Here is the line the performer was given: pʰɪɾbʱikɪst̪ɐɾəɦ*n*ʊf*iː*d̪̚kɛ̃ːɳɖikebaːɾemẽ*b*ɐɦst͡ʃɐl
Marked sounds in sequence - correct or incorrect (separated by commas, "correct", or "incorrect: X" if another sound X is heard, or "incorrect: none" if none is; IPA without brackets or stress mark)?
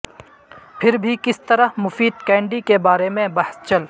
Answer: incorrect: m, correct, correct